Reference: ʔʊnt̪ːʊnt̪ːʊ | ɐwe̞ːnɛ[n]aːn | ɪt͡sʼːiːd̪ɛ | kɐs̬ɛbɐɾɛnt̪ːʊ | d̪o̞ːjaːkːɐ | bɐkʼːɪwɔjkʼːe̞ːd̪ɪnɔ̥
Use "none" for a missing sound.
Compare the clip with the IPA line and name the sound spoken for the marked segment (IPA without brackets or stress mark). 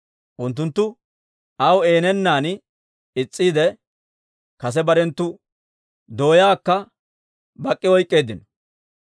nː